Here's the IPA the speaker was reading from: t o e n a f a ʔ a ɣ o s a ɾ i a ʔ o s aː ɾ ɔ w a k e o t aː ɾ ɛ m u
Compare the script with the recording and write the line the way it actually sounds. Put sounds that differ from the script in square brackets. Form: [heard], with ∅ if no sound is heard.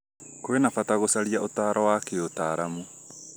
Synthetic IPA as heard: [k] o e n a f a [t] a ɣ o s a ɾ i a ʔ o [t] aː ɾ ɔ w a k e o t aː ɾ [a] m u